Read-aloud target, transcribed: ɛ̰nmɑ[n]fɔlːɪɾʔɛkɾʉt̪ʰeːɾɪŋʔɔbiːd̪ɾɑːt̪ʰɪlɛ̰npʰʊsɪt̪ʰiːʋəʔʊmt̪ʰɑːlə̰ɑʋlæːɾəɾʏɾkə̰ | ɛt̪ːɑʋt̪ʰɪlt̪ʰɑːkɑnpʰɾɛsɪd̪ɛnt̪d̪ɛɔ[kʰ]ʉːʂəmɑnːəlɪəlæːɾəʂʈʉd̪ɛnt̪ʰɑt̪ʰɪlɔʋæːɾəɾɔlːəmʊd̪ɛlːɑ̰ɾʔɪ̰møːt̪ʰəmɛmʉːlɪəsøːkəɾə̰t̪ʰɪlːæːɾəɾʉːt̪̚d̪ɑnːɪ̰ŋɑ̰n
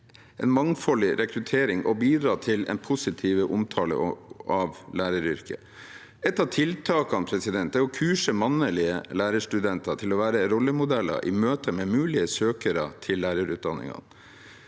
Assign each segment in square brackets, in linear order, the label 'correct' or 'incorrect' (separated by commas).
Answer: incorrect, correct